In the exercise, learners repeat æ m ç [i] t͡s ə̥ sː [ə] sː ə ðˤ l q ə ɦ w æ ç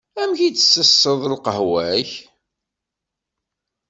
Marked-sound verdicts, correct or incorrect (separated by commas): correct, correct